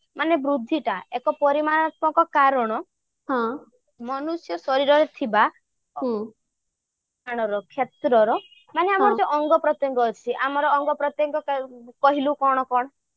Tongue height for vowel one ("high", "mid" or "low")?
low